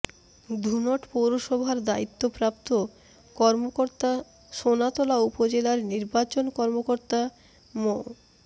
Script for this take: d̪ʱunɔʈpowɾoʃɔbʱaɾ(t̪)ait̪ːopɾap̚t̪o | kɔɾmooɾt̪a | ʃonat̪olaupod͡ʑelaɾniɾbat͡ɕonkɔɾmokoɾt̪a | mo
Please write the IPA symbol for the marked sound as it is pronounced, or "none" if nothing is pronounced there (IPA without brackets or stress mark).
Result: d̪